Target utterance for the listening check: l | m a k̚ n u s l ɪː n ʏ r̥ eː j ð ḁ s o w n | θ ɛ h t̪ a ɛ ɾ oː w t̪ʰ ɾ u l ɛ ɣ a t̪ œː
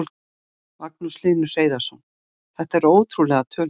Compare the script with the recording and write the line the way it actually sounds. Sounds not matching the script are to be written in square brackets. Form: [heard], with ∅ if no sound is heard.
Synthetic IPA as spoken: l | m a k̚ n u s l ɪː n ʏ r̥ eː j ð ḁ s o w n | θ ɛ h t̪ a ɛ ɾ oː w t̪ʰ ɾ u l ɛ ɣ a [t̪ʰ] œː